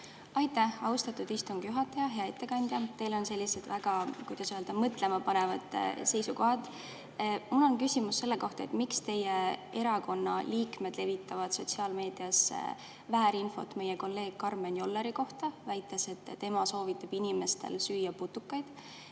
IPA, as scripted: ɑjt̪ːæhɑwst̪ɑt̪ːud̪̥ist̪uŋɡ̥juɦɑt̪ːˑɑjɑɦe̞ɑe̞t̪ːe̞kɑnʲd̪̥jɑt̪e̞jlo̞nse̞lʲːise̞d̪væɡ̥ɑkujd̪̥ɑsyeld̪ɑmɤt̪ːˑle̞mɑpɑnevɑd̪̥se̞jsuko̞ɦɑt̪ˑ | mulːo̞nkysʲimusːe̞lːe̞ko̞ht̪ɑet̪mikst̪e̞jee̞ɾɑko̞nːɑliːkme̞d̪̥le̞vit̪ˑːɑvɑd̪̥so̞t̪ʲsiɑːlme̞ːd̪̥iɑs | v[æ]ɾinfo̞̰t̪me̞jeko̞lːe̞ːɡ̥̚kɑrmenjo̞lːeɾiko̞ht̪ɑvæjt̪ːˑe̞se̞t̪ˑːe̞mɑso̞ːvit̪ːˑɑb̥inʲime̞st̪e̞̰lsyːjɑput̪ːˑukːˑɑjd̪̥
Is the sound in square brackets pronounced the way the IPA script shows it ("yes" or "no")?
no